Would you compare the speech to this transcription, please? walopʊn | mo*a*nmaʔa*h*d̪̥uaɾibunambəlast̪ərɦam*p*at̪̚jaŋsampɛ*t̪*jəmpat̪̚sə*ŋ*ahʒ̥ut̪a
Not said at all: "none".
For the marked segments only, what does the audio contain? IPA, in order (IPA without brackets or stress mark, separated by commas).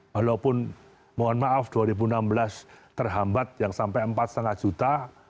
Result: a, f, b, none, ŋ